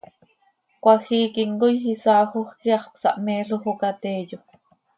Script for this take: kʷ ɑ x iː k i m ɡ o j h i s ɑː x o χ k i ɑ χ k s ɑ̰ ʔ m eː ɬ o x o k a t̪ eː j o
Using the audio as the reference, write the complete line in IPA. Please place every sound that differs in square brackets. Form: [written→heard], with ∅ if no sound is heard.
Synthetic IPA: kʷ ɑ x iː k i [m→ŋ] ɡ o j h i s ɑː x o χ k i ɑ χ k s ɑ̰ ʔ m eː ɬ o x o k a t̪ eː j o